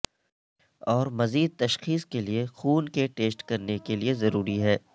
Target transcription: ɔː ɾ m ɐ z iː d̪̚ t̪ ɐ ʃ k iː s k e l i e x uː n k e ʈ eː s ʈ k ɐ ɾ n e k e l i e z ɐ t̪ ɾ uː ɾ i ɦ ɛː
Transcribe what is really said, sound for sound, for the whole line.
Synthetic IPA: ɔː ɾ m ɐ z iː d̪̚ t̪ ɐ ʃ x iː s k e l i e x uː n k e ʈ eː s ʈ k ɐ ɾ n e k e l i e z ɐ ɾ uː ɾ i ɦ ɛː